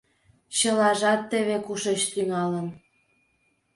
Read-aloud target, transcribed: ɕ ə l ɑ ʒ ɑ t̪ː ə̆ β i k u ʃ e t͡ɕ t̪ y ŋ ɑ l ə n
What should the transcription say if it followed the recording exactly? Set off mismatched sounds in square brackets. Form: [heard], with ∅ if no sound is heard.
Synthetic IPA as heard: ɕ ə l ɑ ʒ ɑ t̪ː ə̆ β [e] k u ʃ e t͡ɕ t̪ y ŋ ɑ l ə n